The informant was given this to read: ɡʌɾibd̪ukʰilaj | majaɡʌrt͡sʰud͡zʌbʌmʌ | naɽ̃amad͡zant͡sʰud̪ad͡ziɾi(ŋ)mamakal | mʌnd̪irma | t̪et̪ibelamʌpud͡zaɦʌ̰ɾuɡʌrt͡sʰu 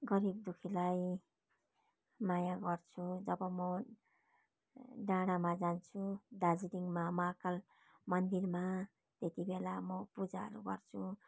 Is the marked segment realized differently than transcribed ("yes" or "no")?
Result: no